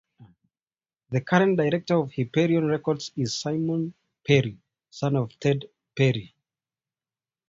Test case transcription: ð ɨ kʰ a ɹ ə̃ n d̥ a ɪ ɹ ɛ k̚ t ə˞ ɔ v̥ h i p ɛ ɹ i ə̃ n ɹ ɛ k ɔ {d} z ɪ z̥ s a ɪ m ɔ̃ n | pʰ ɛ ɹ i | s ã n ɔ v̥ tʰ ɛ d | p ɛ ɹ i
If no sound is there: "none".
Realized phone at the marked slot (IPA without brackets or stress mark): d